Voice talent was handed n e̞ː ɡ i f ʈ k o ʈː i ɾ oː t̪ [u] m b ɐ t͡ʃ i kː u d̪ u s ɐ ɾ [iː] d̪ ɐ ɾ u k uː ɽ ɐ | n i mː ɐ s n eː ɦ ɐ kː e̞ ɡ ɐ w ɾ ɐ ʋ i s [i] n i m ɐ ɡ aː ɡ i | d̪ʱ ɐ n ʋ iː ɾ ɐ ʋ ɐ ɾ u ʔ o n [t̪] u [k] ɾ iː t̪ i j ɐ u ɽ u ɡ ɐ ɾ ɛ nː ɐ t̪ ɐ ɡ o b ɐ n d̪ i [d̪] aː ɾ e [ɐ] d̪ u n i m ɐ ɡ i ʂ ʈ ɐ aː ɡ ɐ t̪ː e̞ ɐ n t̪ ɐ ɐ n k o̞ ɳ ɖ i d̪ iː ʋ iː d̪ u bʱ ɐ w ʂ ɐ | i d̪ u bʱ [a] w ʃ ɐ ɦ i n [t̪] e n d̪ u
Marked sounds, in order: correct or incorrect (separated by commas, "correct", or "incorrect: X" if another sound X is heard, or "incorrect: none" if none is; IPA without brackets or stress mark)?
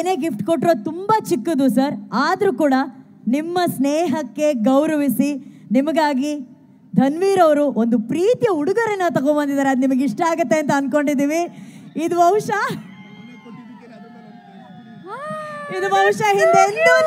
correct, incorrect: aː, correct, incorrect: d̪, incorrect: p, correct, correct, incorrect: ɐ, incorrect: d̪